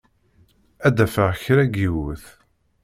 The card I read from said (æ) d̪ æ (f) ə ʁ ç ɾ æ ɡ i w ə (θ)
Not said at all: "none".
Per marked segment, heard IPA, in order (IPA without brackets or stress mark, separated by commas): æ, f, θ